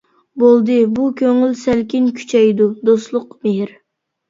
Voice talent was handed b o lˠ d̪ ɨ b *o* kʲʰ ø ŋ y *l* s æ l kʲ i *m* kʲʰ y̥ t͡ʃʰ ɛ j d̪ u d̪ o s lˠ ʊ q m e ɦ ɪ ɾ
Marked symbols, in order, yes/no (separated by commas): no, yes, no